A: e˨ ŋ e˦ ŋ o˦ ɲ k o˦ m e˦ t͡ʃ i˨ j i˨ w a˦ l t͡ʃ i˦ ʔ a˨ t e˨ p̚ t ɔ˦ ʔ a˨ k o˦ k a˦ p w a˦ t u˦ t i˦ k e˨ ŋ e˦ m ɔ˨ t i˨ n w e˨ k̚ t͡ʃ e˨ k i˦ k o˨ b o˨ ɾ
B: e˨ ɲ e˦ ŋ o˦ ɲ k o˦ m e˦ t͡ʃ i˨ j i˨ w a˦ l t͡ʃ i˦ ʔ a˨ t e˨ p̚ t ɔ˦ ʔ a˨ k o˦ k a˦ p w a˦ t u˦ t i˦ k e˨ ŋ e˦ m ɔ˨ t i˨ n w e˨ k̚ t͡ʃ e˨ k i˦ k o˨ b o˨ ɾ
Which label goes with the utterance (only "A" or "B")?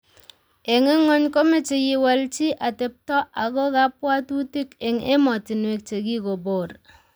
A